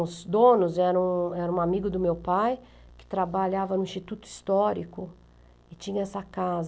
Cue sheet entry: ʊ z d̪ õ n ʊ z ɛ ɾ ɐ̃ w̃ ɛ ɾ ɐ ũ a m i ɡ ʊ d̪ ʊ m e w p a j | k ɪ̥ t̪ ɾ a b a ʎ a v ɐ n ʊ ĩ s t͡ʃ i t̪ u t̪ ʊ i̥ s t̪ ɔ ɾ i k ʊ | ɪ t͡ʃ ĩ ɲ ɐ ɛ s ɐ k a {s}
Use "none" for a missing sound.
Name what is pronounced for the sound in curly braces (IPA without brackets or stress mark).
z